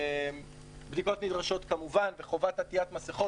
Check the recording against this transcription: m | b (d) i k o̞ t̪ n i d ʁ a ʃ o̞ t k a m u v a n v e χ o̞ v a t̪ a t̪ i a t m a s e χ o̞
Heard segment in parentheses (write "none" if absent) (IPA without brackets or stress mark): d